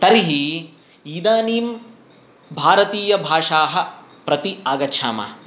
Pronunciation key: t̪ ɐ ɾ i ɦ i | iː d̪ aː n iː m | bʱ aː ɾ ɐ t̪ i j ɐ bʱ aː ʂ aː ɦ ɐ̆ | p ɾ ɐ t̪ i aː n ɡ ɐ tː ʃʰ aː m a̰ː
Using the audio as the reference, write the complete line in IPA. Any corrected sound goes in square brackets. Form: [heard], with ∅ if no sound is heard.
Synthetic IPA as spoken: t̪ ɐ ɾ i ɦ i | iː d̪ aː n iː m | bʱ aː ɾ ɐ t̪ [iː] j ɐ bʱ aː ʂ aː ɦ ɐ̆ | p ɾ ɐ t̪ i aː [∅] ɡ ɐ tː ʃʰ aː m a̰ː